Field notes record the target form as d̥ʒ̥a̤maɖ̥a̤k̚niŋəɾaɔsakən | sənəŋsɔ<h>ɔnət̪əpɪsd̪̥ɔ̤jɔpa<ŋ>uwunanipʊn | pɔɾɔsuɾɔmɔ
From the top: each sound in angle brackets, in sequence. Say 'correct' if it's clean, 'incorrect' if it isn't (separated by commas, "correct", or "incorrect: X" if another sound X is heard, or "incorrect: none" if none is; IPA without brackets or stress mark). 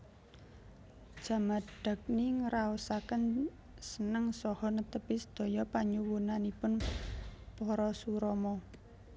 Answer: correct, incorrect: ɲ